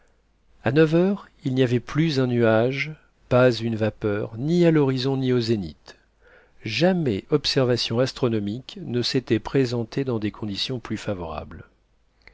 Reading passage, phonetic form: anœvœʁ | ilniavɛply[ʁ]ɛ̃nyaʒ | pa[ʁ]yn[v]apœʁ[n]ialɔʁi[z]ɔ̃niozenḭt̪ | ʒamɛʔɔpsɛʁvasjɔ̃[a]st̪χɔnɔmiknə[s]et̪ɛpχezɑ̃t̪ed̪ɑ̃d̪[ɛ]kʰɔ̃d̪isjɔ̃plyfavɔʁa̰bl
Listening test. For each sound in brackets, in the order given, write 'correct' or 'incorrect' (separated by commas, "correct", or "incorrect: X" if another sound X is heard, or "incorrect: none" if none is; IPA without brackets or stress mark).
incorrect: z, incorrect: z, correct, correct, correct, correct, correct, incorrect: e